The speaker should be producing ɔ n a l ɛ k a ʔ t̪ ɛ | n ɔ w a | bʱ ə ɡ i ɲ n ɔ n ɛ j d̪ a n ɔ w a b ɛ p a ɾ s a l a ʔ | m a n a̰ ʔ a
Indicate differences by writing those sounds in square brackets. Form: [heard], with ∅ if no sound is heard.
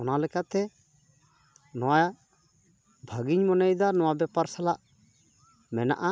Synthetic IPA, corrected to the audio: ɔ n a l ɛ k a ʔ t̪ ɛ | n ɔ w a | bʱ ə ɡ i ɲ [m] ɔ n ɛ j d̪ a n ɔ w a b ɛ p a ɾ s a l a ʔ | m [ɛ] n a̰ ʔ a